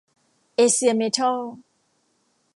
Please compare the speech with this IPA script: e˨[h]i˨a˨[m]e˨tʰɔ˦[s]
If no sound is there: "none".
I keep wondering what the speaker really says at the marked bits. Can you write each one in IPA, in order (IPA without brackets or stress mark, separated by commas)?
s, m, none